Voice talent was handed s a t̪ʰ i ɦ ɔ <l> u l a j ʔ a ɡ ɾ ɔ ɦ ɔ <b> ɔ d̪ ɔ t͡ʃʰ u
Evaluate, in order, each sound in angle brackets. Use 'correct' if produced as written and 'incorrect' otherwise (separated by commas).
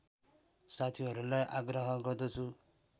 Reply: incorrect, incorrect